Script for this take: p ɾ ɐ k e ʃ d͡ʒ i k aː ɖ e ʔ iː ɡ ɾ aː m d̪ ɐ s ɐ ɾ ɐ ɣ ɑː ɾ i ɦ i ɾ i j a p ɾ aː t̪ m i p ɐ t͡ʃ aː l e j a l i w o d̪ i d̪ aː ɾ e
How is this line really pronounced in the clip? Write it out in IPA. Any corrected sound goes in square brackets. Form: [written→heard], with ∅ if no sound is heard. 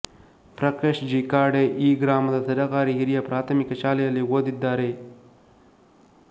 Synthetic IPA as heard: p ɾ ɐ k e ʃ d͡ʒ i k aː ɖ e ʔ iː ɡ ɾ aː m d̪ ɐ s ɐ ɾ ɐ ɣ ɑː ɾ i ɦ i ɾ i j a p ɾ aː t̪ m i [p→k] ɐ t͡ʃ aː l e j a l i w o d̪ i d̪ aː ɾ e